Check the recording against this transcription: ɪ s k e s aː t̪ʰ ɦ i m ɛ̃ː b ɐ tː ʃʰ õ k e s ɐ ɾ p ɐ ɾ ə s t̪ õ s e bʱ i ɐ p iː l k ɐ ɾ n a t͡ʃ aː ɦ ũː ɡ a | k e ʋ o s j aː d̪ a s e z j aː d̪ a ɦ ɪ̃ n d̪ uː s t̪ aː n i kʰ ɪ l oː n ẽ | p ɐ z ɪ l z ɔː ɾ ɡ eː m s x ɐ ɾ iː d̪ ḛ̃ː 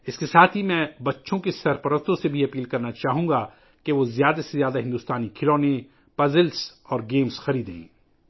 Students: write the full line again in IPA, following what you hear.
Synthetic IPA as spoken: ɪ s k e s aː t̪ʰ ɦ i m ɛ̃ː b ɐ tː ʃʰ õ k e s ɐ ɾ p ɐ ɾ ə s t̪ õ s e bʱ i ɐ p iː l k ɐ ɾ n a t͡ʃ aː ɦ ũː ɡ a | k e ʋ o z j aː d̪ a s e z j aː d̪ a ɦ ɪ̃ n d̪ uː s t̪ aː n i kʰ ɪ l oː n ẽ | p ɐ z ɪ l s ɔː ɾ ɡ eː m s x ɐ ɾ iː d̪ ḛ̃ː